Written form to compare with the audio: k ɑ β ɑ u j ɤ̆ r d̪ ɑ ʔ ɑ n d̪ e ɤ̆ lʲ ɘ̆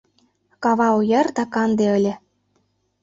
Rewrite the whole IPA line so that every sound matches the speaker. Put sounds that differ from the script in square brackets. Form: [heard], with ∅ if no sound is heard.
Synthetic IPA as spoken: k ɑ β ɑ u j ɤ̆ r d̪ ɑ [k] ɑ n d̪ e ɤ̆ lʲ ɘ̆